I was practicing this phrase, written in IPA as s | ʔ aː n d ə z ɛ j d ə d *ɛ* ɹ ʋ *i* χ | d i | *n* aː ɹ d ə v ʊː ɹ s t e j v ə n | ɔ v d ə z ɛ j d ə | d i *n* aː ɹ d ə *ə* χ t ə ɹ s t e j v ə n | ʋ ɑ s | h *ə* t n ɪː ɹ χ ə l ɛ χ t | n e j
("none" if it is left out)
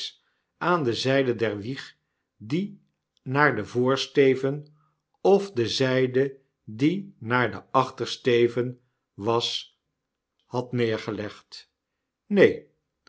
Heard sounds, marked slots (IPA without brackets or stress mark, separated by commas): ɛ, i, n, n, ɑ, ɑ